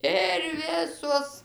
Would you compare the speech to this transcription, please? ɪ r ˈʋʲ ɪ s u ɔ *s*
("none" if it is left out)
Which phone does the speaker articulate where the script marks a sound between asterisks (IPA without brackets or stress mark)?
s